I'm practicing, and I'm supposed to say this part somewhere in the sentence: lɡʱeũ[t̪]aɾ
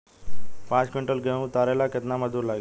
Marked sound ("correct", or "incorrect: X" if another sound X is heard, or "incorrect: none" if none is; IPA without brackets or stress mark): correct